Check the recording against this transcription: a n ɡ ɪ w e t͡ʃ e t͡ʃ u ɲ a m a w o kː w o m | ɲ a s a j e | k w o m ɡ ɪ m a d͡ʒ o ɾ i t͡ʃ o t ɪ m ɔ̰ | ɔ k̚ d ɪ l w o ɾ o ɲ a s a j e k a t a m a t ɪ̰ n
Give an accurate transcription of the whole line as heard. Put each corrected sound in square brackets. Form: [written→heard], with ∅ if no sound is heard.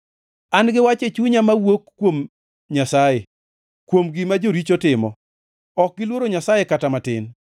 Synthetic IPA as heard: a n ɡ ɪ w [e→a] t͡ʃ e t͡ʃ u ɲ a m a w o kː w o m | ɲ a s a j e | k w o m ɡ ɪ m a d͡ʒ o ɾ i t͡ʃ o t ɪ m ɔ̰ | ɔ k̚ [d→ɡ] ɪ l w o ɾ o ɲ a s a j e k a t a m a t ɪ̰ n